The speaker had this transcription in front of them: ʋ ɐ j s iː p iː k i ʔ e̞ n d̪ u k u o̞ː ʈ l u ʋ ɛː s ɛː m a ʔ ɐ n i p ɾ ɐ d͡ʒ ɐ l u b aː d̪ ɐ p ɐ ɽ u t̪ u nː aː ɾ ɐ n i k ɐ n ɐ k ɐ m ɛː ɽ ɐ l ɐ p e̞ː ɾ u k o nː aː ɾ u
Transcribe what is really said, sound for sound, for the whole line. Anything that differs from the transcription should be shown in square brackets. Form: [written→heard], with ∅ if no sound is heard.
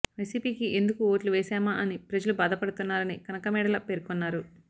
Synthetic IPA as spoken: ʋ ɐ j s iː p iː k i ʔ e̞ n d̪ u k u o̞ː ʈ l u ʋ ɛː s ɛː m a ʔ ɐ n i p ɾ ɐ d͡ʒ ɐ l u b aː d̪ ɐ p ɐ ɽ u t̪ u nː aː ɾ ɐ n i k ɐ n ɐ k ɐ m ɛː ɽ ɐ l ɐ p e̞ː ɾ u k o nː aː ɾ u